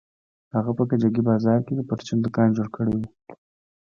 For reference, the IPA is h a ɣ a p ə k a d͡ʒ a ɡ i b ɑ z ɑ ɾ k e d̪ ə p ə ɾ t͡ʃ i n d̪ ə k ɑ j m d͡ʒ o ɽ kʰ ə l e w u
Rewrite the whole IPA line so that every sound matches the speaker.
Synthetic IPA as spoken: h a ɣ a p ə k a d͡ʒ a ɡ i b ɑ z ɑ ɾ k e d̪ ə p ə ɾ t͡ʃ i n d̪ ə k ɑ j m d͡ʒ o ɽ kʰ ə ɽ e w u